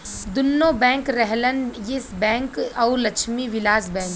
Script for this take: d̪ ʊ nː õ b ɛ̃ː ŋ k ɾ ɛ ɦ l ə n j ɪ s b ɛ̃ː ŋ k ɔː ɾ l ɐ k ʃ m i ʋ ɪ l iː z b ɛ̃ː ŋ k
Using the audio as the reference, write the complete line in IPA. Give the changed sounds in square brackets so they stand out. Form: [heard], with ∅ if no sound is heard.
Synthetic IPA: d̪ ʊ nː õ b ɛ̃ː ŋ k ɾ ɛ ɦ l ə n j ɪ s b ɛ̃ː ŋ k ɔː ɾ l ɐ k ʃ m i ʋ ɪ l [aː] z b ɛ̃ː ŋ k